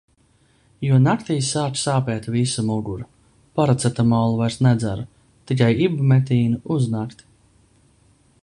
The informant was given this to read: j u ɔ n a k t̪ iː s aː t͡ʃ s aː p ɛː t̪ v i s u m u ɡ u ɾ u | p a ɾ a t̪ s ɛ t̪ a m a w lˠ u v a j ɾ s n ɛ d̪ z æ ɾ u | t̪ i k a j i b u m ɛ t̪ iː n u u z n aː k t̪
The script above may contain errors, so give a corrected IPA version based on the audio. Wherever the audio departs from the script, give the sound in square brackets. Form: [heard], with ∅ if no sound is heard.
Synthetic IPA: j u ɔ n a k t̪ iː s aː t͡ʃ s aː p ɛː t̪ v i s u m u ɡ u ɾ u | p a ɾ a t̪ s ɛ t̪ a m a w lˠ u v a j ɾ s n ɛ d̪ z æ ɾ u | t̪ i k a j i b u m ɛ t̪ iː n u u z n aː k t̪